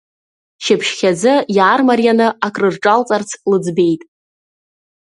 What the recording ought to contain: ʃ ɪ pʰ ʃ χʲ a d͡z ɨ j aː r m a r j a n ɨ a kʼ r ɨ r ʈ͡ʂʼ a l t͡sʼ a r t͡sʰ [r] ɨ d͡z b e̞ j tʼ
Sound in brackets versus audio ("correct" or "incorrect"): incorrect